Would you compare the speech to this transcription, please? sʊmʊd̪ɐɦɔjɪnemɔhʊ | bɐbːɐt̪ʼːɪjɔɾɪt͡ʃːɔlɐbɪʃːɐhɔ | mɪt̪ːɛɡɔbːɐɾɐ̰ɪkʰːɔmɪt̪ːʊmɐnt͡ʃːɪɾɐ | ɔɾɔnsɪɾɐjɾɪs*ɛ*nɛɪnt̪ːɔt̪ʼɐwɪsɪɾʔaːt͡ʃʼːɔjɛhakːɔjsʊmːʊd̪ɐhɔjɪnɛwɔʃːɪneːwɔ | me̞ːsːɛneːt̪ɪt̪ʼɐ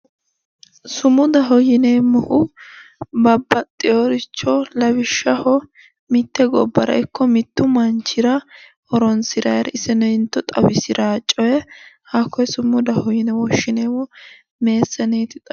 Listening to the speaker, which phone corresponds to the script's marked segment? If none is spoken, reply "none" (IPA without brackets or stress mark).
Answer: ɛ